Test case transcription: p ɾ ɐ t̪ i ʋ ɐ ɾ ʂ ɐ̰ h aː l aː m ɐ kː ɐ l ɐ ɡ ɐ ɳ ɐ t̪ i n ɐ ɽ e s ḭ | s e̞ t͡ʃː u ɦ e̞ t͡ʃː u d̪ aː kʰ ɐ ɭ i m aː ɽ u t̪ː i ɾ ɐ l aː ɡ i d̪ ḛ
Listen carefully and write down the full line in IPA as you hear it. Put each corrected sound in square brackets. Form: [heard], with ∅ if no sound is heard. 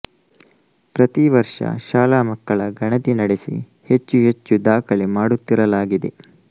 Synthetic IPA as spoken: p ɾ ɐ t̪ i ʋ ɐ ɾ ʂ ɐ̰ [ʃ] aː l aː m ɐ kː ɐ [ɭ] ɐ ɡ ɐ ɳ ɐ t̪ i n ɐ ɽ e s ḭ | [h] e̞ t͡ʃː u ɦ e̞ t͡ʃː u d̪ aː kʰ ɐ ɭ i m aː ɽ u t̪ː i ɾ ɐ l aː ɡ i d̪ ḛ